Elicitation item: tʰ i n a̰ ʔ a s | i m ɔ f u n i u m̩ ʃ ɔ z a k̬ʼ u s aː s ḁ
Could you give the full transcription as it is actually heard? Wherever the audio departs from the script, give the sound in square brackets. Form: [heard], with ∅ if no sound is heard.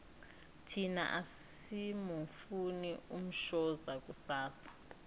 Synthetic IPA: tʰ i n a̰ ʔ a s | i m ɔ f u n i u m̩ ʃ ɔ z a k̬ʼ u s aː s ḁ